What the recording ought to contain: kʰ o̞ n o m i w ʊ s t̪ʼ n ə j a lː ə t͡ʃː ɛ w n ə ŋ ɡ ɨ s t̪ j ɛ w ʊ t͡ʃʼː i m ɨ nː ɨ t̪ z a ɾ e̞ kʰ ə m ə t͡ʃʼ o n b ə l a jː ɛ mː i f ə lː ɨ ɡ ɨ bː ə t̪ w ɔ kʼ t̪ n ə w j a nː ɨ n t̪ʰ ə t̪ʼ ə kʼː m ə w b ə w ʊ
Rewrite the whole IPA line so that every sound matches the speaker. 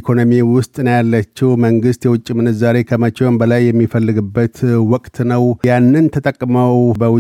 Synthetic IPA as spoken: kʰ o̞ n o m i w ʊ s t̪ʼ n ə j a lː ə t͡ʃː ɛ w m ə ŋ ɡ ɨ s t̪ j ɛ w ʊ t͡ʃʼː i m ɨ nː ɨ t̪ z a ɾ e̞ kʰ ə m ə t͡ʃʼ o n b ə l a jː ɛ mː i f ə lː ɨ ɡ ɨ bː ə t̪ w ɔ kʼ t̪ n ə w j a nː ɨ n t̪ʰ ə t̪ʼ ə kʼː m ə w b ə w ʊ